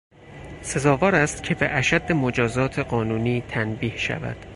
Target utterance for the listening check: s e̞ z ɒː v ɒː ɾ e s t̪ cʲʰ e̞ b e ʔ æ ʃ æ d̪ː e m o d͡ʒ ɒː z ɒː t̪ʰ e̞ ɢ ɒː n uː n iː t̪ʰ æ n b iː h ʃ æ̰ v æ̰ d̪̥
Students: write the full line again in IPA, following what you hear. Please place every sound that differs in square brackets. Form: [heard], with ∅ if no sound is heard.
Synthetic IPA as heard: s e̞ z ɒː v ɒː ɾ [æ] s t̪ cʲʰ e̞ b e ʔ æ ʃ æ d̪ː e m o d͡ʒ ɒː z ɒː t̪ʰ e̞ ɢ ɒː n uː n iː t̪ʰ æ n b iː h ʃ æ̰ v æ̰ d̪̥